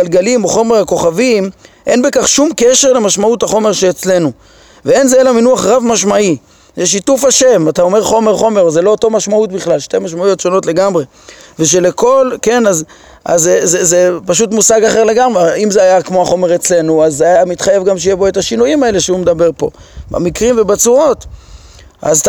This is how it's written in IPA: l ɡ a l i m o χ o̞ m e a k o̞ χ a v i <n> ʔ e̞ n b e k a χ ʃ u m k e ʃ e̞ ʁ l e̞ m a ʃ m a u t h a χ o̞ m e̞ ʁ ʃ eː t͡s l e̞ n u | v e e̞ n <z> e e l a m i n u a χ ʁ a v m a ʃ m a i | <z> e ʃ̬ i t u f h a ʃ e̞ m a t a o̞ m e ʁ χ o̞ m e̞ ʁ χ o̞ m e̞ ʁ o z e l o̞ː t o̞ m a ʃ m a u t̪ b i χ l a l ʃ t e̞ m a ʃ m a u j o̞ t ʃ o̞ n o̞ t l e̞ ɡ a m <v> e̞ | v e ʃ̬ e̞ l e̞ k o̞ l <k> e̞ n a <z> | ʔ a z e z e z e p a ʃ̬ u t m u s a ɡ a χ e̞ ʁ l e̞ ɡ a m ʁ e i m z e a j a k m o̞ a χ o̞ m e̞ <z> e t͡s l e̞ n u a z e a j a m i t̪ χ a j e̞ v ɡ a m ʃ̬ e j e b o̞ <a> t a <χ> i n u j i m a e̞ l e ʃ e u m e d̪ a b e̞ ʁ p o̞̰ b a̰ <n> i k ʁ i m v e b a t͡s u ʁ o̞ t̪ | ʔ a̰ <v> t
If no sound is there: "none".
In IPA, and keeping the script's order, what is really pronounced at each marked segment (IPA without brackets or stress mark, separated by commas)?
m, z, z, ʁ, k, z, ʁ, e, ʃ, m, z